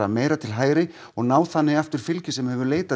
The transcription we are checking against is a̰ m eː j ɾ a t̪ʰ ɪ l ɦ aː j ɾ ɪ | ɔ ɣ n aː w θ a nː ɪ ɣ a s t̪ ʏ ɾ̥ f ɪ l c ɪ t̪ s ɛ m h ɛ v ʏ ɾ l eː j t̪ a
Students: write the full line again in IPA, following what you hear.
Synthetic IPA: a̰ m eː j ɾ a t̪ʰ ɪ l ɦ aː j ɾ ɪ | ɔ ɣ n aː w θ a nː ɪ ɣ a f t̪ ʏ ɾ̥ f ɪ l c ɪ s ɛ m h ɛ v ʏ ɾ l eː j t̪ a